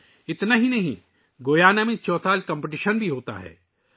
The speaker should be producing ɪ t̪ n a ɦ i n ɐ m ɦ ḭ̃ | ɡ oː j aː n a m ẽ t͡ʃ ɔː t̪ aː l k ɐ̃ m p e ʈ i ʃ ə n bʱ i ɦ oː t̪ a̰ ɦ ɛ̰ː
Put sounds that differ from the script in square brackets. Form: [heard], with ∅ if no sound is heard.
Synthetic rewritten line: ɪ t̪ n a ɦ i n ɐ [∅] ɦ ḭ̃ | ɡ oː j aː n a m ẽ t͡ʃ ɔː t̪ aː l k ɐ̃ m p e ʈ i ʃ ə n bʱ i ɦ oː t̪ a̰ ɦ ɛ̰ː